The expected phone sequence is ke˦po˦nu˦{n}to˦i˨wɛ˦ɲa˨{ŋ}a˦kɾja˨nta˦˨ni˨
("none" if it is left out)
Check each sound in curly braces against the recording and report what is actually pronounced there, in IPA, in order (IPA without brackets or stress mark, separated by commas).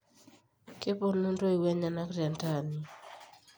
n, n